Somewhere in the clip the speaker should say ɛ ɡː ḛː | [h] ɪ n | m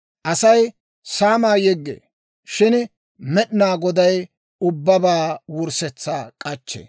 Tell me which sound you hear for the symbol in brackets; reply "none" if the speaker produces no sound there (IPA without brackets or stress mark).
ʃ